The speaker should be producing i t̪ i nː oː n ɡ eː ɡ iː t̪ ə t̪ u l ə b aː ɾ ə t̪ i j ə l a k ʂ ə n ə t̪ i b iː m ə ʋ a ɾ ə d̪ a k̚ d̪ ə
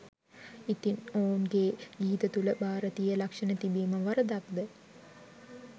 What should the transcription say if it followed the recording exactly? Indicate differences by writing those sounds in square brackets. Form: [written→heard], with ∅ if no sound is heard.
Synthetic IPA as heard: i t̪ i [nː→n] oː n ɡ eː ɡ iː t̪ ə t̪ u l ə b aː ɾ ə t̪ i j ə l a k ʂ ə n ə t̪ i b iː m ə ʋ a ɾ ə d̪ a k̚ d̪ ə